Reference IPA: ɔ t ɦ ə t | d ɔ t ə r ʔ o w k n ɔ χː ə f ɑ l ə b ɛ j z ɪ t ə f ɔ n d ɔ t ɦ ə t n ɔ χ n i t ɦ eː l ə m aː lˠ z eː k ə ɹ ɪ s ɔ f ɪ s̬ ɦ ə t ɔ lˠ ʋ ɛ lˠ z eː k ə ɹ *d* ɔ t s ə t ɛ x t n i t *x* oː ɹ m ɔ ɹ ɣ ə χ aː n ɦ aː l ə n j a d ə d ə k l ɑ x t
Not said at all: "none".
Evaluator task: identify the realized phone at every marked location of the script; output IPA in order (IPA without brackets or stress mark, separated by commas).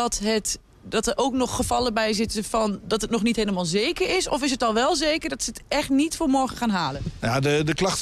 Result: d, f